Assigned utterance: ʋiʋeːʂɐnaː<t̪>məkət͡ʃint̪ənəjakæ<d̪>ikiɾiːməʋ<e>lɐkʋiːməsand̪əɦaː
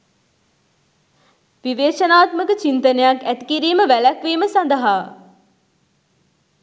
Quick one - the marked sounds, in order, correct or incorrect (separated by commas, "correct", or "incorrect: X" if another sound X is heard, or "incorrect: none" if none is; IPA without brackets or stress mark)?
correct, incorrect: t̪, incorrect: æ